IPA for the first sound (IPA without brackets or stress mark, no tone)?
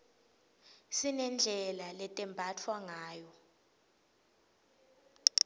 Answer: s